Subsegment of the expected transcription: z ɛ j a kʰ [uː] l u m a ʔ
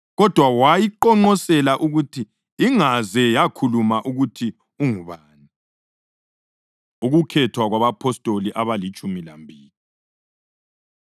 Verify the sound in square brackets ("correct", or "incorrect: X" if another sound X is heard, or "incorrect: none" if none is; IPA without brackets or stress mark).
incorrect: u